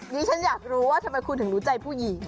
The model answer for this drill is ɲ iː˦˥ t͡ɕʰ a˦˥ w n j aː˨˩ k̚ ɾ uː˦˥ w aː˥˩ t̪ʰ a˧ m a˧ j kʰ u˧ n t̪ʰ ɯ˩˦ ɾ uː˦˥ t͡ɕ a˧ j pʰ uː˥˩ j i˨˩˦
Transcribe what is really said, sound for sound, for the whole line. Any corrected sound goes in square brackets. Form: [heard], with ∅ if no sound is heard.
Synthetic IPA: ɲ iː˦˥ t͡ɕʰ a˦˥ [∅] n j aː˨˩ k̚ ɾ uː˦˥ w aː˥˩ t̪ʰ a˧ m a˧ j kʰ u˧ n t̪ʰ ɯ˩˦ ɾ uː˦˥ t͡ɕ a˧ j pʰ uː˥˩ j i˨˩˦